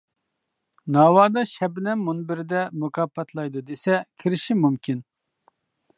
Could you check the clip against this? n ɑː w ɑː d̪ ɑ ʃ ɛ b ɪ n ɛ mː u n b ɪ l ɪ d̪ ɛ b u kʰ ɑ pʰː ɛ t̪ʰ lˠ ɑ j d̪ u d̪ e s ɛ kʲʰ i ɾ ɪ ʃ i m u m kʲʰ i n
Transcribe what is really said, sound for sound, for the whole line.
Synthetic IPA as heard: n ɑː w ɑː d̪ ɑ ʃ ɛ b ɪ n ɛ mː u n b ɪ ɾ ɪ d̪ ɛ m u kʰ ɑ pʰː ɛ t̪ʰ lˠ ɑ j d̪ u d̪ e s ɛ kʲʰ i ɾ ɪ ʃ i m u m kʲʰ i n